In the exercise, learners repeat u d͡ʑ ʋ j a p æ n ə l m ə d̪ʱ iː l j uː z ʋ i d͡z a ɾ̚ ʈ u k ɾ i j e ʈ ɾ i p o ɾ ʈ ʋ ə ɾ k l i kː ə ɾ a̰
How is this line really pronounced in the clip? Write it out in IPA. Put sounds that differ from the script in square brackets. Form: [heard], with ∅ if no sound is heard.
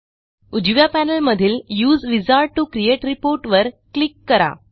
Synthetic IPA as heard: u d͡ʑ ʋ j a p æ n ə l m ə d̪ʱ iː l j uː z ʋ i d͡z a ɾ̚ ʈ u k ɾ i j e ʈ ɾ i p o ɾ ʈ ʋ ə ɾ k l i kː ə ɾ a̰